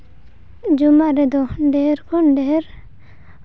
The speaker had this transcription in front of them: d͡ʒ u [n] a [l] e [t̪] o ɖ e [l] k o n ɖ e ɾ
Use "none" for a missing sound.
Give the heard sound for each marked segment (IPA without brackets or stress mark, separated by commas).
m, ɾ, d̪, ɾ